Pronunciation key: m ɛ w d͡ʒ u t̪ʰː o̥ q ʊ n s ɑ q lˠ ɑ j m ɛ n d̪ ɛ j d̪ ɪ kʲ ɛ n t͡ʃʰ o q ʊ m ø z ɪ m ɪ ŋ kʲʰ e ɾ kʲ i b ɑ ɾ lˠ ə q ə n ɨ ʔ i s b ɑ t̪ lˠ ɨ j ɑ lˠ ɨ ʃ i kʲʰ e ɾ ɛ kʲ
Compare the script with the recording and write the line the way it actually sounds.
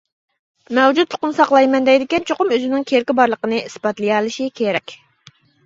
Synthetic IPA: m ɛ w d͡ʒ u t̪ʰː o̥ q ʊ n s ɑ q lˠ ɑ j m ɛ n d̪ ɛ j d̪ ɪ kʲ ɛ n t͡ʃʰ o q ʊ m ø z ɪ n ɪ ŋ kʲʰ e ɾ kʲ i b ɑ ɾ lˠ ə q ə n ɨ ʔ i s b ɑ t̪ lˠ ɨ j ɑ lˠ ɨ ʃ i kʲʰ e ɾ ɛ kʲ